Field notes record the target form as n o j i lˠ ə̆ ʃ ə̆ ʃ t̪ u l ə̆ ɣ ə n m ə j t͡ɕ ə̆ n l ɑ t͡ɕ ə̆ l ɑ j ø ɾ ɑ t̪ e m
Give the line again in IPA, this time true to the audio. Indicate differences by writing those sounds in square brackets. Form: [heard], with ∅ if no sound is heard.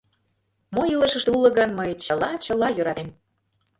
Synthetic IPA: [m] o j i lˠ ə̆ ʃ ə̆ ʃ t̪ u l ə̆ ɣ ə n m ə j t͡ɕ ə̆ [∅] l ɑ t͡ɕ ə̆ l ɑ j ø ɾ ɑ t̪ e m